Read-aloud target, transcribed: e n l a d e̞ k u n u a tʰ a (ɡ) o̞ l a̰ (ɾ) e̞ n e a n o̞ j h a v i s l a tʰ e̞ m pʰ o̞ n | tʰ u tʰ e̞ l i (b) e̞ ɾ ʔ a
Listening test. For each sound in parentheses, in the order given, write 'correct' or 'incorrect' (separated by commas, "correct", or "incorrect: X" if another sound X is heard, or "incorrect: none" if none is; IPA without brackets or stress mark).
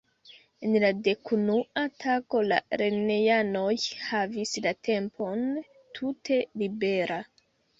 incorrect: k, correct, correct